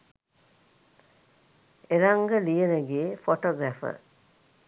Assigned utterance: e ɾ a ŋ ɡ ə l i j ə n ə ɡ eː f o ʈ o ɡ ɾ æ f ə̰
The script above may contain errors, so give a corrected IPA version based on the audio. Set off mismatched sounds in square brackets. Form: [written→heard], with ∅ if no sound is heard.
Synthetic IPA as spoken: e ɾ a ŋ ɡ ə l i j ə n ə ɡ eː f o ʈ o ɡ ɾ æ f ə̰